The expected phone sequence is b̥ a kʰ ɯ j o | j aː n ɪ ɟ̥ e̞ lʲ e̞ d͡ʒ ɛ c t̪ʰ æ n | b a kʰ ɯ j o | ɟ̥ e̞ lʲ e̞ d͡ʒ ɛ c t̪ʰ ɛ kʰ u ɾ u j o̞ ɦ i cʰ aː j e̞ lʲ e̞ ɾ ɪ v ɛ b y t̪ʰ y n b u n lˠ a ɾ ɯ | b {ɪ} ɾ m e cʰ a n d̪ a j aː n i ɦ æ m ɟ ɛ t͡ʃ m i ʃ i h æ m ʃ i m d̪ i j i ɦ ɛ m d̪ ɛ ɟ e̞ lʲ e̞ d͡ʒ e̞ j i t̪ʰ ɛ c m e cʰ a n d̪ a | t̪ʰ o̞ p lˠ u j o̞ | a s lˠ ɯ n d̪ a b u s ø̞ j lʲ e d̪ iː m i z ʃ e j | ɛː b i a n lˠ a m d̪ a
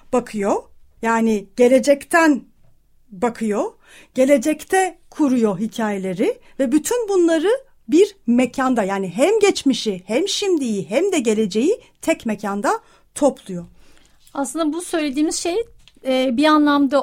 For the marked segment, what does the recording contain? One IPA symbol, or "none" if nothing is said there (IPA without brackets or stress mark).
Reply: i